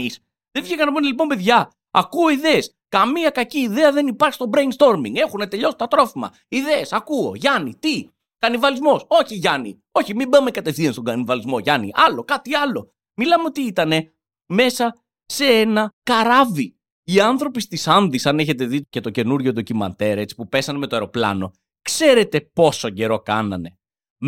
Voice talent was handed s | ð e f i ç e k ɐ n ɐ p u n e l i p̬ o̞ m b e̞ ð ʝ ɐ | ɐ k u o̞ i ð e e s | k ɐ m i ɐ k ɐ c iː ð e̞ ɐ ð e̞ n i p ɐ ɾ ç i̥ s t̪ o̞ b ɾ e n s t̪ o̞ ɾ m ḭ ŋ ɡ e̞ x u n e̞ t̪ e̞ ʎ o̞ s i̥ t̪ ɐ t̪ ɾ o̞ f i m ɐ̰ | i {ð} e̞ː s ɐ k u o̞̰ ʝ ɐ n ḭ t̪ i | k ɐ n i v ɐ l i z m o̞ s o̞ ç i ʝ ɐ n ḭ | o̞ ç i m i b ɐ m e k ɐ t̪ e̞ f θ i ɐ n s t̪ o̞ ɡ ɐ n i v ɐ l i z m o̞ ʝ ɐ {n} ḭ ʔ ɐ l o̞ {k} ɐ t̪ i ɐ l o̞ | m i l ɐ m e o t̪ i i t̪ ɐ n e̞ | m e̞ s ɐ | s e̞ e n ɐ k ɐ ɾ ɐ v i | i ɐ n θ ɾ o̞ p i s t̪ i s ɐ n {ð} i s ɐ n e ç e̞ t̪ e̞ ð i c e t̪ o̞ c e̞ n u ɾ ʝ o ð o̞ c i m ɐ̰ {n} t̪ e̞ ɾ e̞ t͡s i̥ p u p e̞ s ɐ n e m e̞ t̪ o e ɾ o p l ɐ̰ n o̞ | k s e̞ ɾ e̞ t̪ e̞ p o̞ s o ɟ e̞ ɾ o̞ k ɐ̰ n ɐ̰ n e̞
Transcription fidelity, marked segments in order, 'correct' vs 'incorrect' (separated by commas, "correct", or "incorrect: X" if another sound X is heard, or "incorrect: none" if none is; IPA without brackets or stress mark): correct, correct, correct, correct, correct